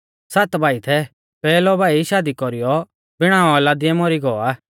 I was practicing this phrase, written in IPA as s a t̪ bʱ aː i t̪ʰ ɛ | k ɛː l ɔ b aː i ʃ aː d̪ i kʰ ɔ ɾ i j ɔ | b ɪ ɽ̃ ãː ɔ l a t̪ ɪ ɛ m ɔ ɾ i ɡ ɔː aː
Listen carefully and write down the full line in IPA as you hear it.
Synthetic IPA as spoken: s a t̪ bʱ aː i t̪ʰ ɛ | p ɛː l ɔ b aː i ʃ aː d̪ i k ɔ ɾ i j ɔ | b ɪ ɽ̃ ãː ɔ l a d̪ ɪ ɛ m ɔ ɾ i ɡ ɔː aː